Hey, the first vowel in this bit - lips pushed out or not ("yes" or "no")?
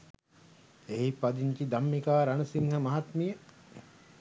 no